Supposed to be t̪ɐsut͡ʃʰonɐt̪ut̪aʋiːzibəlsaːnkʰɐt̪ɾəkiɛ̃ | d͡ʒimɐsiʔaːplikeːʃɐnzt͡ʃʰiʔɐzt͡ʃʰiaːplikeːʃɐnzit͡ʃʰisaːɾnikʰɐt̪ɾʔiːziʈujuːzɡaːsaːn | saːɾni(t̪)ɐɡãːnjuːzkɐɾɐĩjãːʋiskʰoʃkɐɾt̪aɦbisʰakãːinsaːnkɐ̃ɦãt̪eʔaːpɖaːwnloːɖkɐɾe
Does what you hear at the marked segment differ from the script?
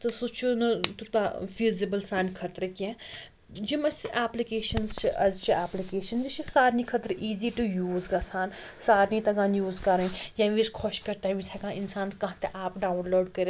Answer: no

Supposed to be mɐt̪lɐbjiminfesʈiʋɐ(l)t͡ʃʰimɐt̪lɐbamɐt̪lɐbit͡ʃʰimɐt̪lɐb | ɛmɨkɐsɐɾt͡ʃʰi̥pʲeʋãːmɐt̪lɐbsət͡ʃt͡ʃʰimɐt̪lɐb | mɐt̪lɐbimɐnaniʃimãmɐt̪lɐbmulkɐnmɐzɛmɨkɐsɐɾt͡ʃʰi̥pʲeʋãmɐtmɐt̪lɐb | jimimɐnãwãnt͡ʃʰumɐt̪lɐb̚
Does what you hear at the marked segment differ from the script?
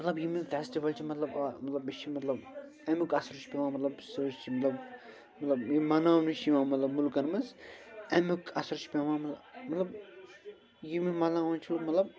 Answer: no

